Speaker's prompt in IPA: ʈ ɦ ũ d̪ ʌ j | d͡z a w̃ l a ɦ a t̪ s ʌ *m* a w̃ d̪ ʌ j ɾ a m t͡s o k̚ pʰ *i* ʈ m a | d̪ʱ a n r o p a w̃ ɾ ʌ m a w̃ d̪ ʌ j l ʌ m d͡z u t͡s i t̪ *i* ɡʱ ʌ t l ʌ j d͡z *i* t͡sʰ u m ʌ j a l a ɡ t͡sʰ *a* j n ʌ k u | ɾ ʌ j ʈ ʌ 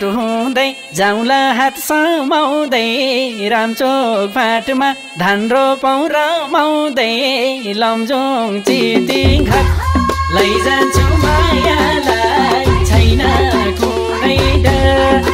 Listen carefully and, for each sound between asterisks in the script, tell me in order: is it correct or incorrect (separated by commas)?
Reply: correct, incorrect, correct, incorrect, incorrect